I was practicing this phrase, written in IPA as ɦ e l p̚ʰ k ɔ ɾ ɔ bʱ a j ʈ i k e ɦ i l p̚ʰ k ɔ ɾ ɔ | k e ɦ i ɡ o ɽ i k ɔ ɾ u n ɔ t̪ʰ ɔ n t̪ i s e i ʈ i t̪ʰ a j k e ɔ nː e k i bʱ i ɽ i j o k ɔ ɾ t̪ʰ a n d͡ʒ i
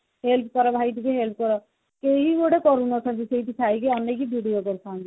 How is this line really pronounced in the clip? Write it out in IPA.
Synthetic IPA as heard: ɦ e l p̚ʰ k ɔ ɾ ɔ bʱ a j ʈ i k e ɦ e l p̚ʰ k ɔ ɾ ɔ | k e ɦ i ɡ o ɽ e k ɔ ɾ u n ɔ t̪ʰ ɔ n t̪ i s e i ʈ i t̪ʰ a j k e ɔ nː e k i bʱ i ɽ i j o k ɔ ɾ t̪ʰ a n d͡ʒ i